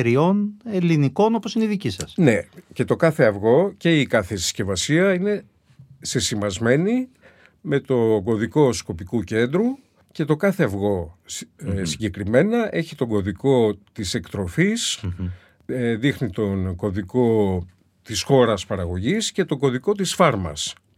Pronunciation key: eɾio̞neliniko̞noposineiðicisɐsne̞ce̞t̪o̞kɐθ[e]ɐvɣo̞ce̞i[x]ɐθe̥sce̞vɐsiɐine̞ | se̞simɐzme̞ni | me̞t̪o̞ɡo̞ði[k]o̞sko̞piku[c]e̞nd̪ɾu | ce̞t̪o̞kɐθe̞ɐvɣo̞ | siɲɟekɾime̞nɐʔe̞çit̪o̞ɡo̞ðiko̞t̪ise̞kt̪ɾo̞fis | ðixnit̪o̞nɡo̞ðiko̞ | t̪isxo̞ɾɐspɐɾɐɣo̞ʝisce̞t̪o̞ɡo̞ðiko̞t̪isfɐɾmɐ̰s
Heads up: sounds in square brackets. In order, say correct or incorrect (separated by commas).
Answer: correct, incorrect, correct, correct